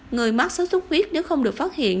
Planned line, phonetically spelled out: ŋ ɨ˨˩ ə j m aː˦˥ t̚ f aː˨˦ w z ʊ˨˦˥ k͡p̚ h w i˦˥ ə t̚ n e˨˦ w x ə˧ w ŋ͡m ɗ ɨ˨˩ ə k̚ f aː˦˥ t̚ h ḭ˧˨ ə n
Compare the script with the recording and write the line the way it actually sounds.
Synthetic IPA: ŋ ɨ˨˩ ə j m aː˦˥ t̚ s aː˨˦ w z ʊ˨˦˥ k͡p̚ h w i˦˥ ə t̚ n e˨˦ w x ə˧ w ŋ͡m ɗ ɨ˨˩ ə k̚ f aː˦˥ t̚ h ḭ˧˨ ə n